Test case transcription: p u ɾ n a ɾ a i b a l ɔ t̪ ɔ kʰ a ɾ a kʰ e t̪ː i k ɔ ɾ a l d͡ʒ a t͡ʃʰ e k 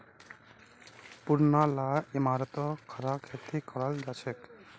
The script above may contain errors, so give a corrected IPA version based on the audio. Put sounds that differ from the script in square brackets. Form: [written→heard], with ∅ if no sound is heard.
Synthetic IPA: p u ɾ n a [ɾ→l] a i [b→m] a [l→ɾ] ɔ t̪ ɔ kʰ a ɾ a kʰ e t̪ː i k ɔ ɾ a l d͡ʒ a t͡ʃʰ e k